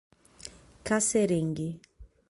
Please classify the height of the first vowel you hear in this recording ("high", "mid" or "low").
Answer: low